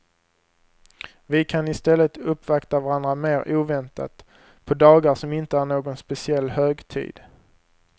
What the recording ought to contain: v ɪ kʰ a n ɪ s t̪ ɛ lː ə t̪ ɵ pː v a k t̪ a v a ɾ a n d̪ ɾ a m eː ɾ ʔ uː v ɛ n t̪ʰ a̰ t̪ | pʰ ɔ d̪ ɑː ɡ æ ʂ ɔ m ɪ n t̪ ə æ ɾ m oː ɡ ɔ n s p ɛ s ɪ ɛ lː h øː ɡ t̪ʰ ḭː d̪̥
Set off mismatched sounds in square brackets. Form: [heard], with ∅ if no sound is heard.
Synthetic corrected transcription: v ɪ kʰ a n ɪ s t̪ ɛ lː ə t̪ ɵ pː v a k t̪ a v a ɾ a n d̪ ɾ a m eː ɾ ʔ uː v ɛ n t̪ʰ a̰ t̪ | pʰ ɔ d̪ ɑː ɡ [a] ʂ ɔ m ɪ n t̪ ə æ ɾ [ɳ] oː ɡ ɔ n s p ɛ s ɪ ɛ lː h øː ɡ t̪ʰ ḭː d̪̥